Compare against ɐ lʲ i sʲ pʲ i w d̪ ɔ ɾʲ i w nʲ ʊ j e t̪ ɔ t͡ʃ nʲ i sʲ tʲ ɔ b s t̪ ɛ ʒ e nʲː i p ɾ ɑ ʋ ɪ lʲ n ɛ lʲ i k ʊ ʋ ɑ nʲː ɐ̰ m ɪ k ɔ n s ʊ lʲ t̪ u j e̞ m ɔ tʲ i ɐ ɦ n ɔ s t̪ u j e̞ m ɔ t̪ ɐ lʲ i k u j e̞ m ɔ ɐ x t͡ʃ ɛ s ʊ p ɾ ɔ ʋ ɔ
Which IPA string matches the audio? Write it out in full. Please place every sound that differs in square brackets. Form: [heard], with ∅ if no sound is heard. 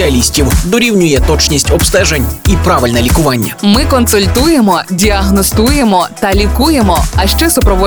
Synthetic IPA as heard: ɐ lʲ i sʲ [tʲ] i w d̪ ɔ ɾʲ i w nʲ ʊ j [ɛ] t̪ ɔ t͡ʃ nʲ i sʲ tʲ ɔ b s t̪ ɛ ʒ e [nʲ] i p ɾ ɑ ʋ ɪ lʲ n ɛ lʲ i k ʊ ʋ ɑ nʲː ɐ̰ m ɪ k ɔ n s ʊ lʲ t̪ u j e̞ m ɔ [dʲ] i ɐ ɦ n ɔ s t̪ u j e̞ m ɔ t̪ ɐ lʲ i k u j e̞ m ɔ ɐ [ʃ] t͡ʃ ɛ s ʊ p ɾ ɔ ʋ ɔ